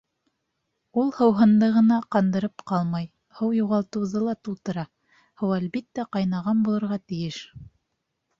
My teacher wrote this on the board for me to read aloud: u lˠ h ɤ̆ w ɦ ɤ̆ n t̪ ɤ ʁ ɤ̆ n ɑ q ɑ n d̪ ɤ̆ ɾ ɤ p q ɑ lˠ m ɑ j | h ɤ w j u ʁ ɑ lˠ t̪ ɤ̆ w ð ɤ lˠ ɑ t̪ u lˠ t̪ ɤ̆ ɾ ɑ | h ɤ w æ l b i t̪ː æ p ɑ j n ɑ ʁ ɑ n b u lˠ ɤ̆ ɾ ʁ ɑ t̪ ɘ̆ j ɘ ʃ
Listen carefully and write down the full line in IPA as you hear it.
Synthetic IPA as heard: u lˠ h ɤ̆ w ɦ ɤ̆ n d̪ ɤ ʁ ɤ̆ n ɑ q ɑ n d̪ ɤ̆ ɾ ɤ p q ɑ lˠ m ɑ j | h ɤ w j u ʁ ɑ lˠ t̪ ɤ̆ w ð ɤ lˠ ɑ t̪ u lˠ t̪ ɤ̆ ɾ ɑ | h ɤ w æ l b i t̪ː æ q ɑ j n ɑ ʁ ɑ n b u lˠ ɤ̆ ɾ ʁ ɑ t̪ ɘ̆ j ɘ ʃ